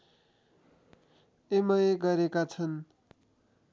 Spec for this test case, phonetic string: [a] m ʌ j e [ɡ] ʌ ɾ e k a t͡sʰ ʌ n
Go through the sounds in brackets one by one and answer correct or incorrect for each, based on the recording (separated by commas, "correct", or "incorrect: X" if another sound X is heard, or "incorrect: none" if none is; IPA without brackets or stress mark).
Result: incorrect: e, correct